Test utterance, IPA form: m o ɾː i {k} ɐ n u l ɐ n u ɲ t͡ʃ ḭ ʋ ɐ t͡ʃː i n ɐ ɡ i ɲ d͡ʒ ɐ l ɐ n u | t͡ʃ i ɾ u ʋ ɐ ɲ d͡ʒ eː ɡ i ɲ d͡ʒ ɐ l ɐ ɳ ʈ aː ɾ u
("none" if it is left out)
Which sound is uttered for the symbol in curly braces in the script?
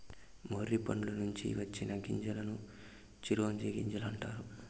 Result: p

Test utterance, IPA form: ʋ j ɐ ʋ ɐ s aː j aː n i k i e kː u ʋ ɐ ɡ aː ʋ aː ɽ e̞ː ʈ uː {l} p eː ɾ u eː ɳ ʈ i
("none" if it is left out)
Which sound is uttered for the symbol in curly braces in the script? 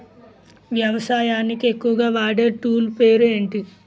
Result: l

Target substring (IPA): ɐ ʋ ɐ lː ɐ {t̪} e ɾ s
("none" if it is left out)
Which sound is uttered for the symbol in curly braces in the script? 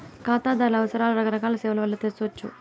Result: t̪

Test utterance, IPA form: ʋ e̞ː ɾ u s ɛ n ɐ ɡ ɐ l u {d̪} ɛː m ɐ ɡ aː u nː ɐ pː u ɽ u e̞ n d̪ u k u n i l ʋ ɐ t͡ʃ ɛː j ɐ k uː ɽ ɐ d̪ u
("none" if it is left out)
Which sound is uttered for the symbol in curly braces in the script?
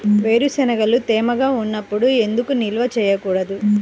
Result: t̪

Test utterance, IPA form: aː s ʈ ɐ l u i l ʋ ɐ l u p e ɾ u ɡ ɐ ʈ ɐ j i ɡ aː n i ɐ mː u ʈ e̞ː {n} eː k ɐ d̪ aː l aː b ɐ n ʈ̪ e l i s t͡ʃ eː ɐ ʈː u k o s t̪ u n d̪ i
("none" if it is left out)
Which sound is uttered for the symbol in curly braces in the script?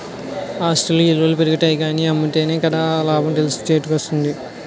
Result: n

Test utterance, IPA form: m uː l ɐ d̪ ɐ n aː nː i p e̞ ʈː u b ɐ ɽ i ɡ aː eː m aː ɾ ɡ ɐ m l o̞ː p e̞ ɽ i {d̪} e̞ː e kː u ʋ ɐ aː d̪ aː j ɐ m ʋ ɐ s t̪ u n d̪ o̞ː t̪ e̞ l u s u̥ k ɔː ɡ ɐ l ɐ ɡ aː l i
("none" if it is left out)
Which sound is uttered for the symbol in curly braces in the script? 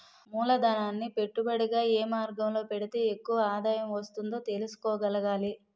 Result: t̪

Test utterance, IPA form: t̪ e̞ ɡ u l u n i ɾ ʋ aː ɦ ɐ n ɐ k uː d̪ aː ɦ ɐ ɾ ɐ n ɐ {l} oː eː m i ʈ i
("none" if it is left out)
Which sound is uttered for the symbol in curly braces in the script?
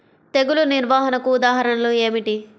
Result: l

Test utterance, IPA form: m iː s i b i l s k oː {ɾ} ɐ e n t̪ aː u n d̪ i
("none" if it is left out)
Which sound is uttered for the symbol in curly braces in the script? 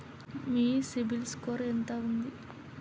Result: ɾ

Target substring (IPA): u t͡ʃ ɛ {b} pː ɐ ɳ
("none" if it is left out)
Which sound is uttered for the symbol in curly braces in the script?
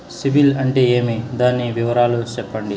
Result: none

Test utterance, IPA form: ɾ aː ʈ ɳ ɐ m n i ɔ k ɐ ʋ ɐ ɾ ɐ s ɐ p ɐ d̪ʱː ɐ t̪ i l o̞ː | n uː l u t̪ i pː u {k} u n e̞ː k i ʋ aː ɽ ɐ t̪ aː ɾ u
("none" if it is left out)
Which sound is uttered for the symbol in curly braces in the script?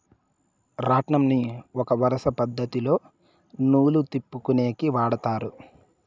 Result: k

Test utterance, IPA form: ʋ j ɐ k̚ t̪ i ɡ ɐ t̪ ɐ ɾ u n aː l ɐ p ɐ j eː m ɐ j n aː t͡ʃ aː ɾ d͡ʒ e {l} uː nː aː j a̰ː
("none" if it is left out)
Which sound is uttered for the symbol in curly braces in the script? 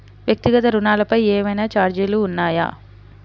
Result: l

